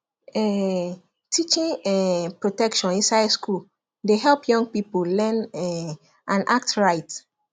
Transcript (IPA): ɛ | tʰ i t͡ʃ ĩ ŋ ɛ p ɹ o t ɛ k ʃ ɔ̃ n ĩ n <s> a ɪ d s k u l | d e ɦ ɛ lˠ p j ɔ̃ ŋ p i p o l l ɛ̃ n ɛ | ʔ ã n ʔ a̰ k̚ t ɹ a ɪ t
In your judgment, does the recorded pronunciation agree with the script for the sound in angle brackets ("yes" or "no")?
yes